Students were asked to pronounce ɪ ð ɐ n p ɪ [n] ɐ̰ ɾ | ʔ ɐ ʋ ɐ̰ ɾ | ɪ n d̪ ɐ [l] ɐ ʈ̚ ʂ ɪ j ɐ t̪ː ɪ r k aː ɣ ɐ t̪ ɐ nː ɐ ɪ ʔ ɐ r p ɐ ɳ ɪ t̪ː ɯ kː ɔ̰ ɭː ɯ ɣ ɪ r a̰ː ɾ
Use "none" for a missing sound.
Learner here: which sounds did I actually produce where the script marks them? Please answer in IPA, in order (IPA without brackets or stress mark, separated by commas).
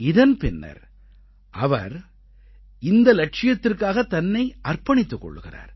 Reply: nː, l